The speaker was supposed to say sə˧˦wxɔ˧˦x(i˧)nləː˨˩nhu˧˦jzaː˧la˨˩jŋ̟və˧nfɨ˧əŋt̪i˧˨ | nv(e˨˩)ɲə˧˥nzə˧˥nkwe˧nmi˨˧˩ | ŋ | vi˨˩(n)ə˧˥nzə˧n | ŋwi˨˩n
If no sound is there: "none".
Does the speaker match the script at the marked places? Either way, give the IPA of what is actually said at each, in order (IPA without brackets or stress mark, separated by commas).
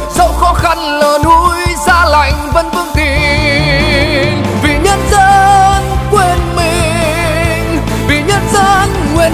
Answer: a˧, i˨˩, ɲ